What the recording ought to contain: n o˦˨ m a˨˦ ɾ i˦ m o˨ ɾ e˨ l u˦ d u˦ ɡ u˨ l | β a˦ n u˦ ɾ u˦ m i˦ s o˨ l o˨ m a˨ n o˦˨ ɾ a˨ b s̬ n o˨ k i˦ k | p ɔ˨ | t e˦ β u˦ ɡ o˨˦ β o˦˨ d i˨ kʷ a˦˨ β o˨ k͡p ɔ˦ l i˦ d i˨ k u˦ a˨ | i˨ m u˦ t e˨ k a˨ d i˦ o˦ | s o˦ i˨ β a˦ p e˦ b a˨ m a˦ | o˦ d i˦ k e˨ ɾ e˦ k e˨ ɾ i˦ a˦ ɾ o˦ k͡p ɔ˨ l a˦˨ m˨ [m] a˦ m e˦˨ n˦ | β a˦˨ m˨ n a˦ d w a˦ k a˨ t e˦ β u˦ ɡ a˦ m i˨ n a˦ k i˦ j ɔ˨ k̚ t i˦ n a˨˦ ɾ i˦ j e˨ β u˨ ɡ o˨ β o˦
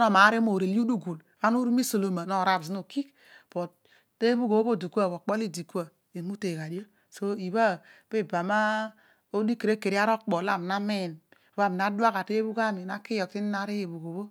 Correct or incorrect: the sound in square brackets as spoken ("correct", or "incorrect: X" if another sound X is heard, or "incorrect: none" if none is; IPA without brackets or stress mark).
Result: incorrect: n